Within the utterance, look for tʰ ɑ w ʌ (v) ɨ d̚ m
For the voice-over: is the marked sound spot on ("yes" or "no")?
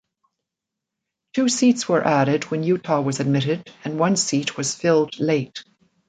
no